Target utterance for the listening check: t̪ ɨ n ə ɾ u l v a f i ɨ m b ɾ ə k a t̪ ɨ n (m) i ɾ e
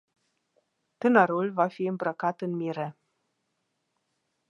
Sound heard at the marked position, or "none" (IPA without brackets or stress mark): m